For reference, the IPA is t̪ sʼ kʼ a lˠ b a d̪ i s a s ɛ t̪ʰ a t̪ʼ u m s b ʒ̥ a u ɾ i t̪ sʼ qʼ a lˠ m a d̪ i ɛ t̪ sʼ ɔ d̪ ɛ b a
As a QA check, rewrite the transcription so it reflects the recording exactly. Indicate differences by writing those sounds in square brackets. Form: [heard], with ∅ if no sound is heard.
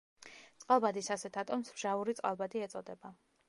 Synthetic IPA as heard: t̪ sʼ [qʼ] a lˠ b a d̪ i s a s ɛ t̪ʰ a t̪ʼ [ɔ] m s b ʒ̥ a u ɾ i t̪ sʼ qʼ a lˠ [b] a d̪ i ɛ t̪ sʼ ɔ d̪ ɛ b a

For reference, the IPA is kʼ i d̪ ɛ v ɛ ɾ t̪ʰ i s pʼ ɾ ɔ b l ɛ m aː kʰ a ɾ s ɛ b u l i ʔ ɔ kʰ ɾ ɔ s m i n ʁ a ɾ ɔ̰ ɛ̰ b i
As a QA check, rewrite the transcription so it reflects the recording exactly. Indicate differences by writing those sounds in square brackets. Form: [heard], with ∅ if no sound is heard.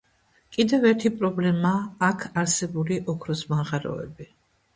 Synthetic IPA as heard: kʼ i d̪ ɛ v ɛ ɾ t̪ʰ i [∅] pʼ ɾ ɔ b l ɛ m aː kʰ a ɾ s ɛ b u l i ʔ ɔ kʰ ɾ ɔ s m [a] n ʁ a ɾ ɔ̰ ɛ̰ b i

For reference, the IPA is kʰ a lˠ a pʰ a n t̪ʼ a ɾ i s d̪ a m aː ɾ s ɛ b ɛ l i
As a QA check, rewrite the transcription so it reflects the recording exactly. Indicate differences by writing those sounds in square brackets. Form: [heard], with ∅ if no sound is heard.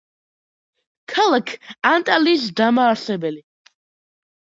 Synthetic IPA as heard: kʰ a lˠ a [kʰ] a n t̪ʼ a [l] i s d̪ a m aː ɾ s ɛ b ɛ l i

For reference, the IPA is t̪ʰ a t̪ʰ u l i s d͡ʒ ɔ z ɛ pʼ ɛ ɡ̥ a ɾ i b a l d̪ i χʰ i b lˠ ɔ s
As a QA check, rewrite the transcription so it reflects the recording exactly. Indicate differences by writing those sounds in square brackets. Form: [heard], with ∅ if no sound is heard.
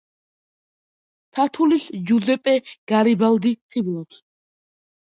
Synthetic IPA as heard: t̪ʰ a t̪ʰ u l i s d͡ʒ [u] z ɛ pʼ ɛ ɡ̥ a ɾ i b a l d̪ i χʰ i b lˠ ɔ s

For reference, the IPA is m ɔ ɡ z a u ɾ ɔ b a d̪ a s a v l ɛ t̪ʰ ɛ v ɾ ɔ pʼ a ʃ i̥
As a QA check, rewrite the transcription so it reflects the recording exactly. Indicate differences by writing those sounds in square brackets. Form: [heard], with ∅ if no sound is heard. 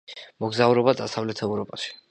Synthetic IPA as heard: m ɔ ɡ z a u ɾ ɔ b a d̪ a s a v l ɛ t̪ʰ ɛ v ɾ ɔ pʼ a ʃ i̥

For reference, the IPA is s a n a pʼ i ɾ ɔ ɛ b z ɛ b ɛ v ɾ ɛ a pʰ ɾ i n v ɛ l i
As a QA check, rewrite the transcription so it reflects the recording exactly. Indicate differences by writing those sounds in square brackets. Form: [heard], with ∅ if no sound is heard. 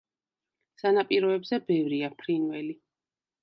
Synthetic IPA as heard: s a n a pʼ i ɾ ɔ ɛ b z ɛ b ɛ v ɾ [i] a pʰ ɾ i n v ɛ l i

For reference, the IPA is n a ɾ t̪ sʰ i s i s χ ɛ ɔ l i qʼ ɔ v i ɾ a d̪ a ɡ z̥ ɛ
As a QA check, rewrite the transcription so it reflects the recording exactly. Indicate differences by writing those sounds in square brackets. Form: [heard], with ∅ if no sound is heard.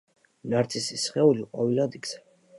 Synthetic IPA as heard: n a ɾ t̪ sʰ i s i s χ ɛ [u] l i qʼ ɔ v i [l] a d̪ [i] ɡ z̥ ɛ

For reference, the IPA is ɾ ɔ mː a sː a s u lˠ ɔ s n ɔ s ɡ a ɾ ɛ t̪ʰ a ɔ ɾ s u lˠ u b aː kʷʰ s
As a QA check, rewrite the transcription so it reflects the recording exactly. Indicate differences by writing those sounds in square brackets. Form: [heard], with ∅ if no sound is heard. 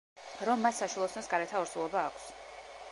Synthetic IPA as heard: ɾ ɔ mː a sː a [ʃ] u lˠ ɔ s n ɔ s ɡ a ɾ ɛ t̪ʰ a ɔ ɾ s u lˠ [ɔ] b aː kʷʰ s

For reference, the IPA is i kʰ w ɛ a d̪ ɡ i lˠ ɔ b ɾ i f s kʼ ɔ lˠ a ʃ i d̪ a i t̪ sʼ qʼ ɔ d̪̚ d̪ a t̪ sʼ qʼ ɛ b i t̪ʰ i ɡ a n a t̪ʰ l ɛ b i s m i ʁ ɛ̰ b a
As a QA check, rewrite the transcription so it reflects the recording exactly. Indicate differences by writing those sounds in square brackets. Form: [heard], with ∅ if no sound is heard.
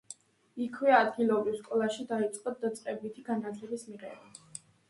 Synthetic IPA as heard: i kʰ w ɛ a d̪ ɡ i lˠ ɔ b ɾ i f s kʼ ɔ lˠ a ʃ i d̪ a i t̪ sʼ qʼ ɔ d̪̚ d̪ a t̪ sʼ qʼ ɛ b i t̪ʰ i ɡ a n a t̪ʰ l ɛ b i s m i ʁ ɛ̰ b a

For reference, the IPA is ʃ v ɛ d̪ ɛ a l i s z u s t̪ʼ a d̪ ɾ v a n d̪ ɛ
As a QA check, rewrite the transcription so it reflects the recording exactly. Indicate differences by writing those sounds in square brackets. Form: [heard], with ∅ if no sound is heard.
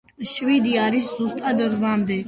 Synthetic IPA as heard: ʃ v [i] d̪ [i] a [ɾ] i s z u s t̪ʼ a d̪ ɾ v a [m] d̪ ɛ

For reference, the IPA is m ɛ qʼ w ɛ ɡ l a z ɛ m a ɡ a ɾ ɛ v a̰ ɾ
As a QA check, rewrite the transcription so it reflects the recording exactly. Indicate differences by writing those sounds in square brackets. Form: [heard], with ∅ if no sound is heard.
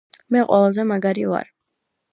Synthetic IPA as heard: m ɛ qʼ w ɛ [∅] l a z ɛ m a ɡ a ɾ [i] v a̰ ɾ

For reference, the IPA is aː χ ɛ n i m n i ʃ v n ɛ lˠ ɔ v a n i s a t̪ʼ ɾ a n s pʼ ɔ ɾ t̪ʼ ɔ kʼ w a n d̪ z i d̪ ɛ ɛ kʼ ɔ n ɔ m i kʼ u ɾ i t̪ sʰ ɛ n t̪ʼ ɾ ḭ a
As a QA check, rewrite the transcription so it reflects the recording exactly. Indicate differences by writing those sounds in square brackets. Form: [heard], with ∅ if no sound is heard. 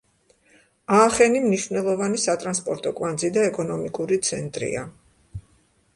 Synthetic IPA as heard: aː χ ɛ n i m n i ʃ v n ɛ lˠ ɔ v a n i s a t̪ʼ ɾ a n s pʼ ɔ ɾ t̪ʼ ɔ kʼ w a n d̪ z i d̪ [a] ɛ kʼ ɔ n ɔ m i kʼ u ɾ i t̪ sʰ ɛ n t̪ʼ ɾ ḭ a

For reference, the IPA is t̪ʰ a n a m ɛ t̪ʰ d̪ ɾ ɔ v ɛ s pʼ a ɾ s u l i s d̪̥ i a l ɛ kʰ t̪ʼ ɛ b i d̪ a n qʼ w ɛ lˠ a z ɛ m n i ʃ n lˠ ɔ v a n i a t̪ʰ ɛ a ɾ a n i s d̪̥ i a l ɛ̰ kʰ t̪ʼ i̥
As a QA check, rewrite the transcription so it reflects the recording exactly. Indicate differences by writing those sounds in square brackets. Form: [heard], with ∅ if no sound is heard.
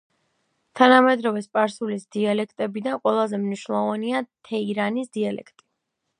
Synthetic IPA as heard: t̪ʰ a n a m ɛ [∅] d̪ ɾ ɔ v ɛ s pʼ a ɾ s u l i s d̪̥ i a l ɛ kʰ t̪ʼ ɛ b i d̪ a n qʼ w ɛ lˠ a z ɛ m n i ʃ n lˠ ɔ v a n i a t̪ʰ ɛ [i] ɾ a n i s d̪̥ i a l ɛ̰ kʰ t̪ʼ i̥

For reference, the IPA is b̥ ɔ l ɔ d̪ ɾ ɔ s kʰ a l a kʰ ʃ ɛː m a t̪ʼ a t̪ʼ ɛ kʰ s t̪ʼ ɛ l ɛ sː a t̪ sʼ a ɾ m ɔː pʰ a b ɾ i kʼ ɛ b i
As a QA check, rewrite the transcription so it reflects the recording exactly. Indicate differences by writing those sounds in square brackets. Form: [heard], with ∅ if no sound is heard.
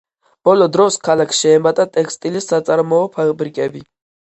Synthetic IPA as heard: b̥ ɔ l ɔ d̪ ɾ ɔ s kʰ a l a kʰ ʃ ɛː m a t̪ʼ a t̪ʼ ɛ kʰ s t̪ʼ [i] l [i] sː a t̪ sʼ a ɾ m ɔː pʰ a b ɾ i kʼ ɛ b i

